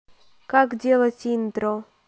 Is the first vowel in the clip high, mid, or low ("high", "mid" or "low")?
low